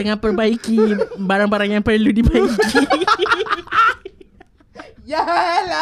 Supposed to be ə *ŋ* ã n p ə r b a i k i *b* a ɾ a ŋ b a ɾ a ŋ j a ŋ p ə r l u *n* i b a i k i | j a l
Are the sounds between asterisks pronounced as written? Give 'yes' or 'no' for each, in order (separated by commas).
yes, yes, no